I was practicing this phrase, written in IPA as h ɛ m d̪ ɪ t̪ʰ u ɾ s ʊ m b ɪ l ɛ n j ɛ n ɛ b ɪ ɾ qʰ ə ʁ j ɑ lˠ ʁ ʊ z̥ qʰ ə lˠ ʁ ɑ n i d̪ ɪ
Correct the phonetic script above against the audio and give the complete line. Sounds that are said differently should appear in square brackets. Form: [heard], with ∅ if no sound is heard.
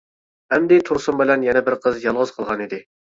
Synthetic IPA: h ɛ m d̪ ɪ t̪ʰ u ɾ s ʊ m b ɪ l ɛ n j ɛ n ɛ b ɪ ɾ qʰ ə [z] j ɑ lˠ ʁ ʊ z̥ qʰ ə lˠ ʁ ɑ n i d̪ ɪ